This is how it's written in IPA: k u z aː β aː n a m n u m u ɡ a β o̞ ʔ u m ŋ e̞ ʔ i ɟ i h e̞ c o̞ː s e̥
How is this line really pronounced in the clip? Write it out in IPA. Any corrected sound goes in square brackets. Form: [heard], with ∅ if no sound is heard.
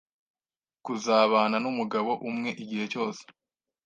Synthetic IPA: k u z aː β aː n a [∅] n u m u ɡ a β o̞ ʔ u m ŋ e̞ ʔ i ɟ i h e̞ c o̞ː s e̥